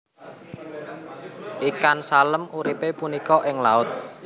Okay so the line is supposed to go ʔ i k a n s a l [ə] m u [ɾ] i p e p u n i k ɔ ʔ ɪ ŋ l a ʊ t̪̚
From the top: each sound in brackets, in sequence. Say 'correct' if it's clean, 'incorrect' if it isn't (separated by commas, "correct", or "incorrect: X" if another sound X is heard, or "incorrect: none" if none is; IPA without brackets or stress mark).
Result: correct, correct